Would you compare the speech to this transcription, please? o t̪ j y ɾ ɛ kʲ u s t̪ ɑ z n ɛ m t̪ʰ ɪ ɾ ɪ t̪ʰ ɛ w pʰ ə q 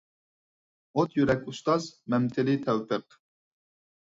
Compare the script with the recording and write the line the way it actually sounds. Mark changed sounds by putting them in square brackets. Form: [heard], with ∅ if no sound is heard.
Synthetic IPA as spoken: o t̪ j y ɾ ɛ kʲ u s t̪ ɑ z [m] ɛ m t̪ʰ ɪ [l] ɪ t̪ʰ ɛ w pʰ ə q